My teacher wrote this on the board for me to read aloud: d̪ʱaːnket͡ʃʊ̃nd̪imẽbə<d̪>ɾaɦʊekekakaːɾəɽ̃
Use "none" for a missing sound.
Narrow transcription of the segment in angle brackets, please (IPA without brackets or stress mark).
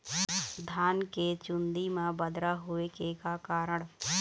d̪